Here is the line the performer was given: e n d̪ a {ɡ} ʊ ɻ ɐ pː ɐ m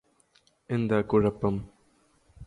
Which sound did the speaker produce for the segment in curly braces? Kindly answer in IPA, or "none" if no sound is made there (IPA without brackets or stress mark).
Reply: k